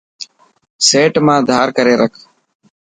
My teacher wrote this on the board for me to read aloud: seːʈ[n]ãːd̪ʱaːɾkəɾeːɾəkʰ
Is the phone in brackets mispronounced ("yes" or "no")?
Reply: yes